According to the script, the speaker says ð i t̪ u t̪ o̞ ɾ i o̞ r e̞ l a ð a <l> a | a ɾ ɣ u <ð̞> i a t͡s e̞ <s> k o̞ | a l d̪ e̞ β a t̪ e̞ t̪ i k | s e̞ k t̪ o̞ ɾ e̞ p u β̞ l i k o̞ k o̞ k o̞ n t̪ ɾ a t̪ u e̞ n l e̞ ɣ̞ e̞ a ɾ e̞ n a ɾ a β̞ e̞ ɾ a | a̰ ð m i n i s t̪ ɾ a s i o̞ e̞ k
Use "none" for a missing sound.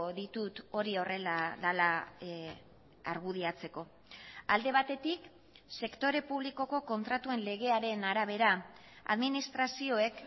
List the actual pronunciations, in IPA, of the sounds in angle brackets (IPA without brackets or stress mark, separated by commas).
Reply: l, ð̞, none